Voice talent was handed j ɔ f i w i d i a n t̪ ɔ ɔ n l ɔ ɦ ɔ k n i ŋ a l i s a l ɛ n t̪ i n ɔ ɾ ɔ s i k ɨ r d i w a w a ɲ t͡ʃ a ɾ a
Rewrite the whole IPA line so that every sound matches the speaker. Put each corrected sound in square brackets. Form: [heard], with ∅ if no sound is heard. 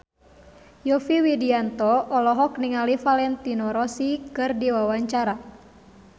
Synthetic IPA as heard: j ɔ f i w i d i a n t̪ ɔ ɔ [∅] l ɔ ɦ ɔ k n i ŋ a l i [f] a l ɛ n t̪ i n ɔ ɾ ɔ s i k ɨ r d i w a w a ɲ t͡ʃ a ɾ a